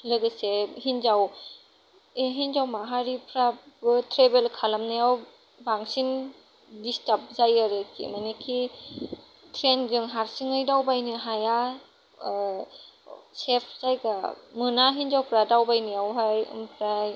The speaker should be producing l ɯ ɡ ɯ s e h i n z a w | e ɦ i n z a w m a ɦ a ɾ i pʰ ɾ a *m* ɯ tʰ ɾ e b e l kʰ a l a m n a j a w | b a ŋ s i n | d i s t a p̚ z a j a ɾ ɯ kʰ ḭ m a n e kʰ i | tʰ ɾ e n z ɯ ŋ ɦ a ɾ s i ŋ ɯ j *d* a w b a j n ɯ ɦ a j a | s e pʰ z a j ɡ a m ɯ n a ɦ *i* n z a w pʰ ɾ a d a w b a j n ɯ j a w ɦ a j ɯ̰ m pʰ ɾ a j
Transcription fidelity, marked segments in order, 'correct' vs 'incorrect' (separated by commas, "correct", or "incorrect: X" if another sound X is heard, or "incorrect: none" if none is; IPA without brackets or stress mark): incorrect: b, correct, correct